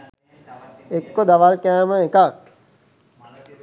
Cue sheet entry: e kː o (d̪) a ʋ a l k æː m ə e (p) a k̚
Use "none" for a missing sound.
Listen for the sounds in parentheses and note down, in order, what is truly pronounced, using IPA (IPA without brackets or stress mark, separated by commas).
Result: d̪, k